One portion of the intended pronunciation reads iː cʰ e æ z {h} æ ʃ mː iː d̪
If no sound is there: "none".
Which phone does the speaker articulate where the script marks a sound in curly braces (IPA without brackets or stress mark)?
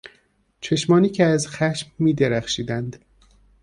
x